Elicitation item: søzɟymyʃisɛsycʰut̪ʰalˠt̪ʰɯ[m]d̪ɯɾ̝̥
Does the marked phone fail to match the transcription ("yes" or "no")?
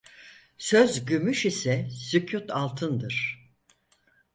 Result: yes